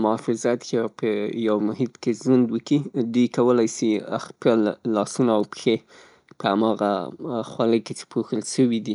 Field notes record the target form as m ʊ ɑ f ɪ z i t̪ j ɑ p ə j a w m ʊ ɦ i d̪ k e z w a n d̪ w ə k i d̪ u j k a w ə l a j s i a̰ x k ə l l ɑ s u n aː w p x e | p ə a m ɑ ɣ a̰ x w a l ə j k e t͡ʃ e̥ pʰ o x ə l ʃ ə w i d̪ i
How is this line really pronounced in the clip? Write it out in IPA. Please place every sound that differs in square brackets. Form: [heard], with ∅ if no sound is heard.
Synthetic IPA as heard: m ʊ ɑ f ɪ z [a] t̪ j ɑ p ə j a w m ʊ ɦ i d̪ k e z w a n d̪ w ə k i d̪ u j k a w ə l a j s i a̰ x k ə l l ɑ s u n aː w p x e | p ə a m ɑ ɣ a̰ x w a l ə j k e t͡ʃ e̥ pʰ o x ə l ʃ ə w i d̪ i